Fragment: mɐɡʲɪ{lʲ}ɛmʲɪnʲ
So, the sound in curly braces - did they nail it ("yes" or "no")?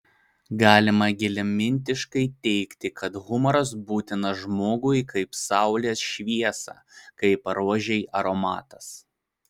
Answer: yes